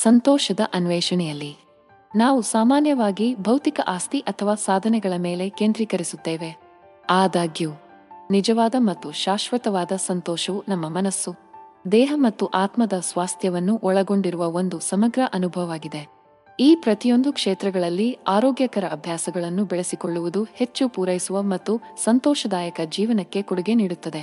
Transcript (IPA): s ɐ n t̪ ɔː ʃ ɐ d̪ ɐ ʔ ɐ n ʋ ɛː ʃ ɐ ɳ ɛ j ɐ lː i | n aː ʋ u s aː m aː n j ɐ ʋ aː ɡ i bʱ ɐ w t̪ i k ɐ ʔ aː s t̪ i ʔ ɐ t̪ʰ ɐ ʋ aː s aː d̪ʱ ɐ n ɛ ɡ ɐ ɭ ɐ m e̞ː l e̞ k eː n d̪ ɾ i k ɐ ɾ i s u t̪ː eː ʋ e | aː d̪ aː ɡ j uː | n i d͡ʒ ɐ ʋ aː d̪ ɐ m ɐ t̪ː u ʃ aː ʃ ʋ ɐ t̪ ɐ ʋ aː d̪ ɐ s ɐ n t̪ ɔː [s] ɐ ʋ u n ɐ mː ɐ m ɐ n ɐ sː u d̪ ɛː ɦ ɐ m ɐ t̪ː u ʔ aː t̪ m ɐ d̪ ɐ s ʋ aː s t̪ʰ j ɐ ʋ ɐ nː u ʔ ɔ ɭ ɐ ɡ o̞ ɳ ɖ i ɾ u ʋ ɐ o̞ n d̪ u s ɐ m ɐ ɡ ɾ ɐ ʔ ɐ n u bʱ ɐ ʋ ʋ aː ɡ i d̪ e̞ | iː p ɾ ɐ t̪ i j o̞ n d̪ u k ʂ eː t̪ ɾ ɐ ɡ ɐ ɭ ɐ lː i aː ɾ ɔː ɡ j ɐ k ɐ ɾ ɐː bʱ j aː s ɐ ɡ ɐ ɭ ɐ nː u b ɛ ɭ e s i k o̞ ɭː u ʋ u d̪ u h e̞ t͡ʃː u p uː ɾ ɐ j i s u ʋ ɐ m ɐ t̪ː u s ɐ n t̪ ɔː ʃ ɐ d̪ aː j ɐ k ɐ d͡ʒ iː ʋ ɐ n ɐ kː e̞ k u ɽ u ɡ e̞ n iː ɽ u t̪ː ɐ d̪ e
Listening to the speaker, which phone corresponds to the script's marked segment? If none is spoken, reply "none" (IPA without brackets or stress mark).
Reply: ʃ